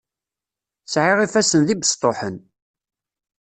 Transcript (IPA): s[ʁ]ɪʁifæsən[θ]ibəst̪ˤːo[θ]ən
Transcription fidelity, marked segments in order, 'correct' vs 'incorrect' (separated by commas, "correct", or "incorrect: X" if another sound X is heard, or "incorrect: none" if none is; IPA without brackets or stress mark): incorrect: ʕ, incorrect: ð, incorrect: ħ